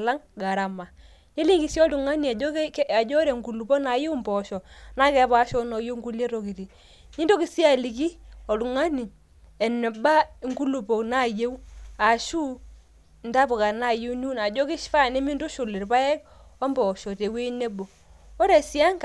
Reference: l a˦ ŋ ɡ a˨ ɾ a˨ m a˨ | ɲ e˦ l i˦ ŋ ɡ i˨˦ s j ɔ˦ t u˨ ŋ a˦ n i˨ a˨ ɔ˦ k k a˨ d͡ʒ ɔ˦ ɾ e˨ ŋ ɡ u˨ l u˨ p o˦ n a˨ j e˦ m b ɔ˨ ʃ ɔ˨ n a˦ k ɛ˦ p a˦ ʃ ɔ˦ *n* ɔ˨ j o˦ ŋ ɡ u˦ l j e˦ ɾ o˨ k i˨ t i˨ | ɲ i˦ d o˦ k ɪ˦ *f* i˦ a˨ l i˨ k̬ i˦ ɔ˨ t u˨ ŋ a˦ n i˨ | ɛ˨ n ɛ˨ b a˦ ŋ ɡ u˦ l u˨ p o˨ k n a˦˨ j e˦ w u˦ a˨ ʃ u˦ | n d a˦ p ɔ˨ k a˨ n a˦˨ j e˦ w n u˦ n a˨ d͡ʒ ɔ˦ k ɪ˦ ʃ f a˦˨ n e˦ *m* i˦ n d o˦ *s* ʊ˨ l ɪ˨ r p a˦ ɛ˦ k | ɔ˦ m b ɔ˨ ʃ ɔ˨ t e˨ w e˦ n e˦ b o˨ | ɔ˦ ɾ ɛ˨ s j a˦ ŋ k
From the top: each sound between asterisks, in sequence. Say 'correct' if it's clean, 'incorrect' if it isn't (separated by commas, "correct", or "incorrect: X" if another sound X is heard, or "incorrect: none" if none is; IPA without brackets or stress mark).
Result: correct, incorrect: s, correct, incorrect: ʃ